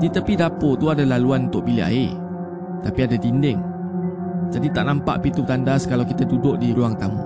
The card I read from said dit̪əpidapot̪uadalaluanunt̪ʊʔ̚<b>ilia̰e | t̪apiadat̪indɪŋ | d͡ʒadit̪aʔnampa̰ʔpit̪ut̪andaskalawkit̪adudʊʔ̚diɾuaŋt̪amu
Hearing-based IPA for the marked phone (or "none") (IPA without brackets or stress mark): b